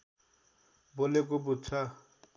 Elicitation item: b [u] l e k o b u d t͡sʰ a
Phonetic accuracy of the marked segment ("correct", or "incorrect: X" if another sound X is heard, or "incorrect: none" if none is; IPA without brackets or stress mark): incorrect: o